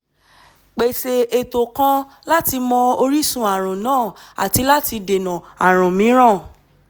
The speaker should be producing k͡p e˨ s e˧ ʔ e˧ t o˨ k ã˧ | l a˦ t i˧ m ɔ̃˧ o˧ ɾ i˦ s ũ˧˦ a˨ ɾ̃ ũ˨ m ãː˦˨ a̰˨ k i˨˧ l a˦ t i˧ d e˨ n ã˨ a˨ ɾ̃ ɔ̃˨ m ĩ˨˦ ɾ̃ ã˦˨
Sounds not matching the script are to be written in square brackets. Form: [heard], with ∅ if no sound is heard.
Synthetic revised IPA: k͡p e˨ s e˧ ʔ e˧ t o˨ k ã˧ | l a˦ t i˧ m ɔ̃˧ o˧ ɾ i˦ s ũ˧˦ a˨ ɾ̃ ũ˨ [n] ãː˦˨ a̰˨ [t] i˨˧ l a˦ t i˧ d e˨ n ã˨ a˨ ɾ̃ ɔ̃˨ m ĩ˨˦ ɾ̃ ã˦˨

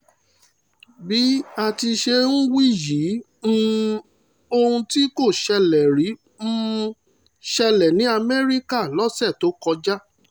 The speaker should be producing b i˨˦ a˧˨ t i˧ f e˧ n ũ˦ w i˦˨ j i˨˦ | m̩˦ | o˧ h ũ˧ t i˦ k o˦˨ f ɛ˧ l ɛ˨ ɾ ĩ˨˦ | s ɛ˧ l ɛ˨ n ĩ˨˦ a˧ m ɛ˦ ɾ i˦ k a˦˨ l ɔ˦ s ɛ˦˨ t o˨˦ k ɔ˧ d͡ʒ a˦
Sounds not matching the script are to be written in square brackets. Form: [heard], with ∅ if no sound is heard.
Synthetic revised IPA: b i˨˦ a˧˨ t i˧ [ʃ] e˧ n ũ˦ w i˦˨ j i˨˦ | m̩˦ | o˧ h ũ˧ t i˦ k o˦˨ [ʃ] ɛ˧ l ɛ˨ ɾ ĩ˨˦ | [ʃ] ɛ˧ l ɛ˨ n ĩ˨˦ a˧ m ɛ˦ ɾ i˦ k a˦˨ l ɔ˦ s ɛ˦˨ t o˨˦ k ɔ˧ d͡ʒ a˦

